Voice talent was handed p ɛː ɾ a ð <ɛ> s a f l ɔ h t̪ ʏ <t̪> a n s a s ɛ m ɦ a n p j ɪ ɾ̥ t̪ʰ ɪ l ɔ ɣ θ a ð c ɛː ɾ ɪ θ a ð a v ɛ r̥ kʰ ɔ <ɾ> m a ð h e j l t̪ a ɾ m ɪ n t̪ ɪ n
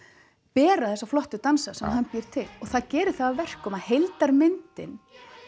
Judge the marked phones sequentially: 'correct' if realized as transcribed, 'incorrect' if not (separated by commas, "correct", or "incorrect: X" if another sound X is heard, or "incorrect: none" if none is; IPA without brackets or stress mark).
correct, correct, incorrect: none